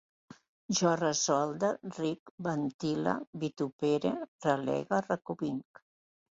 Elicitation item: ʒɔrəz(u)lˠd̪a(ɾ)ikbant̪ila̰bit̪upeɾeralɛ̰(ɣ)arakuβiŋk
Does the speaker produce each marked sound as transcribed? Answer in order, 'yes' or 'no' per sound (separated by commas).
no, no, yes